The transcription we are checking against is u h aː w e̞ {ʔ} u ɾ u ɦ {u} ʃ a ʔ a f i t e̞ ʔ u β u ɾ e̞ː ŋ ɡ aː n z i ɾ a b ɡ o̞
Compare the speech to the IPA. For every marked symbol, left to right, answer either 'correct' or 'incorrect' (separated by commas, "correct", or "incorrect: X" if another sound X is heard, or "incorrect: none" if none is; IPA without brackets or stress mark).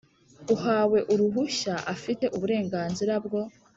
correct, correct